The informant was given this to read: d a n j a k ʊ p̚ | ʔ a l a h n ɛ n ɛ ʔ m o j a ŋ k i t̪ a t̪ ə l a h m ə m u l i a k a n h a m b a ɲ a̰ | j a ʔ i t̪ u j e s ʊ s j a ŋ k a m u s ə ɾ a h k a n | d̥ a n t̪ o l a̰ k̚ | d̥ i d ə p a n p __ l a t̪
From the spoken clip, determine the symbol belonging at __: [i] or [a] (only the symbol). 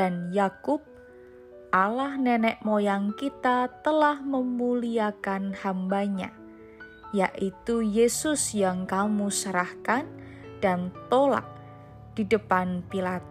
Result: i